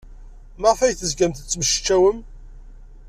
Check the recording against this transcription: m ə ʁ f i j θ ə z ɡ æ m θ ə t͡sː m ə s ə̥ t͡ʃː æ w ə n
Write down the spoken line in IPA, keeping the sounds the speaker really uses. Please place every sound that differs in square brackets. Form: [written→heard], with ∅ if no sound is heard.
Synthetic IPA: m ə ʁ f [i→æ] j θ ə z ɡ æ m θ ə t͡sː m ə [s→ʃ] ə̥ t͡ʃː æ w ə [n→m]